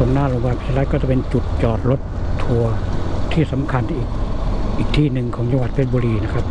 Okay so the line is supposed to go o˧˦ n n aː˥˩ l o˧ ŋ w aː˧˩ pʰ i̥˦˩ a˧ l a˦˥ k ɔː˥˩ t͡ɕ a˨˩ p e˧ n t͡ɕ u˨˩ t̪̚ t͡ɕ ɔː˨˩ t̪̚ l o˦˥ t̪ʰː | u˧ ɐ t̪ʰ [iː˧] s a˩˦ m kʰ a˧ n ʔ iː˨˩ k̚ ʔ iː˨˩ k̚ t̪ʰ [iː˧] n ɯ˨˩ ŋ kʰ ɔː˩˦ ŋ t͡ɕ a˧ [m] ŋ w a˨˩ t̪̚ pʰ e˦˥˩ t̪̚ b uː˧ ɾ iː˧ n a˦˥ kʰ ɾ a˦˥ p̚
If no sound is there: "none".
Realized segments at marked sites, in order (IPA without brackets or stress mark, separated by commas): iː˥˩, iː˥˩, none